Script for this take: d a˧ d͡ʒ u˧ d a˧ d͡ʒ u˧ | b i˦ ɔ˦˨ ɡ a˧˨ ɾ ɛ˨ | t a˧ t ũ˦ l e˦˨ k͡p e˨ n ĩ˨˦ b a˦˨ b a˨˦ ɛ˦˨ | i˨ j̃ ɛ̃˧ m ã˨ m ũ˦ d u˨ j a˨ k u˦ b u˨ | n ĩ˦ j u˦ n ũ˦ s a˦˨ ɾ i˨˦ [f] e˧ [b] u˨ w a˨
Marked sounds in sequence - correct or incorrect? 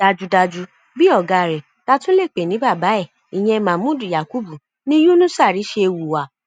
incorrect: ʃ, incorrect: w

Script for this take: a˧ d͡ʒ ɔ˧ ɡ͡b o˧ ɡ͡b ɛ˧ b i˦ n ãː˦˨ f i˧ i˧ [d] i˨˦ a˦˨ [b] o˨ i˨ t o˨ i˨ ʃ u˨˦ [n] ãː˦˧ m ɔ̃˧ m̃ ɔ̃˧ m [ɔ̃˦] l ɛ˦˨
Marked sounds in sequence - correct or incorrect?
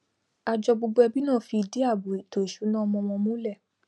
correct, correct, correct, incorrect: ũ˦

